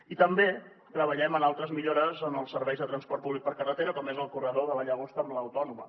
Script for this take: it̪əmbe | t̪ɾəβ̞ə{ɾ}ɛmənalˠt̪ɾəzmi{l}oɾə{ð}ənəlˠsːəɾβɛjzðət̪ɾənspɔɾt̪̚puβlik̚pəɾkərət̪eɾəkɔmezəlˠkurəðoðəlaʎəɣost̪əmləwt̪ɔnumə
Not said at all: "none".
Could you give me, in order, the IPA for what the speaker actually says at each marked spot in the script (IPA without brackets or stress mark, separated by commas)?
ʎ, ʎ, z